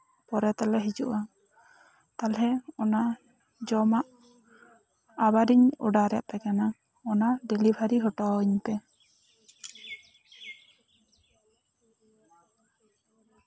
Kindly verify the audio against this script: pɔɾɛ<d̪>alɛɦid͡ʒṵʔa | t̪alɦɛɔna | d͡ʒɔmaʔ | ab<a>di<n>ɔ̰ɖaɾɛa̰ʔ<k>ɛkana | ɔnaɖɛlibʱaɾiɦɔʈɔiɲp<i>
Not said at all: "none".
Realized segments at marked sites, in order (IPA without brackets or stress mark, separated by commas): t̪, a, ɲ, p, ɛ